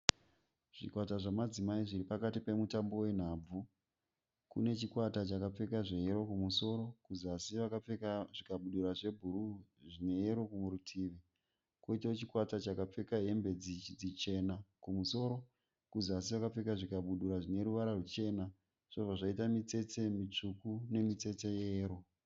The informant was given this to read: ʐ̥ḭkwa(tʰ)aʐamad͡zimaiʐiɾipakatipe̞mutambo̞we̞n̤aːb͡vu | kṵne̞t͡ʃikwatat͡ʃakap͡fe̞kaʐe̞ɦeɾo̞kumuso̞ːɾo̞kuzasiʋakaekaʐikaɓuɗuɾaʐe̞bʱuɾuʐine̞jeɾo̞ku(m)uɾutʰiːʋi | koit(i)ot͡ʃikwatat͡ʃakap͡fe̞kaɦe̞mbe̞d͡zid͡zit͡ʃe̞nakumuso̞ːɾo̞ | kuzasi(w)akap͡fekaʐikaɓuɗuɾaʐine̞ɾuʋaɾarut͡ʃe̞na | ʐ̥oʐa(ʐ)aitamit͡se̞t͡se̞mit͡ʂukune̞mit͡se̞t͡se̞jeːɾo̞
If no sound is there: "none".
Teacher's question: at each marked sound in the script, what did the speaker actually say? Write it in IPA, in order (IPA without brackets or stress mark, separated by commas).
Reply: t, m, a, ʋ, ʐ